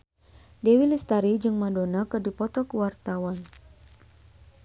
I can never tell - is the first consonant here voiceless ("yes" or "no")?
no